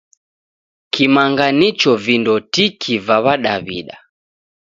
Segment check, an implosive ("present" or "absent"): present